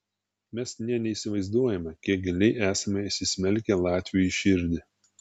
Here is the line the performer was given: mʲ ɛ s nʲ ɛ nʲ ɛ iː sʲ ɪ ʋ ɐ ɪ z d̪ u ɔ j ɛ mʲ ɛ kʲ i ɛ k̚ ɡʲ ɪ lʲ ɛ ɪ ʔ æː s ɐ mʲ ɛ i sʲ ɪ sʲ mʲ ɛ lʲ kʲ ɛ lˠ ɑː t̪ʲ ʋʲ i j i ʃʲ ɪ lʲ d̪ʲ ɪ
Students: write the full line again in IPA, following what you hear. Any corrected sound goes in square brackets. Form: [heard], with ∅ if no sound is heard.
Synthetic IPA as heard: mʲ ɛ s nʲ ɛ nʲ ɛ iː sʲ ɪ ʋ ɐ ɪ z d̪ u ɔ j ɛ mʲ ɛ kʲ i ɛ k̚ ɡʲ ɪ lʲ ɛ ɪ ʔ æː s ɐ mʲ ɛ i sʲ ɪ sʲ mʲ ɛ lʲ kʲ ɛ lˠ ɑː t̪ʲ ʋʲ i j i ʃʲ ɪ [ɾʲ] d̪ʲ ɪ